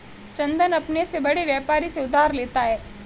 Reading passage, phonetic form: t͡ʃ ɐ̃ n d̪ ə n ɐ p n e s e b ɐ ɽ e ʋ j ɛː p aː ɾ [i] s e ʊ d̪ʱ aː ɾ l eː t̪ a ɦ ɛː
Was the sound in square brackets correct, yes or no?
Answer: yes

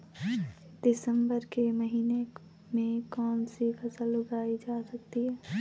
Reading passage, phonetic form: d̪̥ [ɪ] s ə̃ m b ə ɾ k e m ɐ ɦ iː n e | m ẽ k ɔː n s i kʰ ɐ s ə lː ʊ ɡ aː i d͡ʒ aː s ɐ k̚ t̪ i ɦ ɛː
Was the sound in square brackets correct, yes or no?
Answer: yes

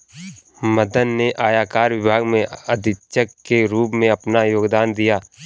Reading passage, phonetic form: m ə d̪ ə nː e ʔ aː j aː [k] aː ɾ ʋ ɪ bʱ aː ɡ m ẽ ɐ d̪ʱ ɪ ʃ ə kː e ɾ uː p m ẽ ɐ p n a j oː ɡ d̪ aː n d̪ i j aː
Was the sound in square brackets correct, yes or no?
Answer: yes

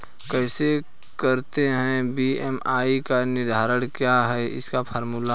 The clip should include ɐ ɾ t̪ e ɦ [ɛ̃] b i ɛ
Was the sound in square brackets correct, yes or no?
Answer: yes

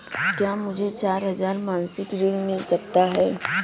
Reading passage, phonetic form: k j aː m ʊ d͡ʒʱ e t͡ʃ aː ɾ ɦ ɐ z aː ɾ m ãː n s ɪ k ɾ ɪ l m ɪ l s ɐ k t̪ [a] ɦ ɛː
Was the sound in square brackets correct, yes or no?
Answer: yes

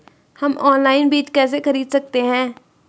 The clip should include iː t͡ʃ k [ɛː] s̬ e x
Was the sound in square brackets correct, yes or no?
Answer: yes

